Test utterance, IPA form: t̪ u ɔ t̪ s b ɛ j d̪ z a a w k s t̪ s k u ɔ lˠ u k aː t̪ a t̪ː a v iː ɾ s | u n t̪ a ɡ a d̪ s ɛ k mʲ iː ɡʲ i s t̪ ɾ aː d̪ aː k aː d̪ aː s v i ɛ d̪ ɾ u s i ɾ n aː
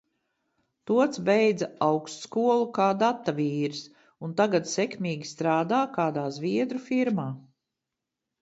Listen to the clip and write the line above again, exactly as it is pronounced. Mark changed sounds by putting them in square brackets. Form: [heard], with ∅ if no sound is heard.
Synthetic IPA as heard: t̪ u ɔ t̪ s b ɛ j d̪ z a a w k s t̪ s k u ɔ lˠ u k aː [d̪] a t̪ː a v iː ɾ s | u n t̪ a ɡ a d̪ s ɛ k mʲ iː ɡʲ i s t̪ ɾ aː d̪ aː k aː d̪ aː [z] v i ɛ d̪ ɾ u [f] i ɾ [m] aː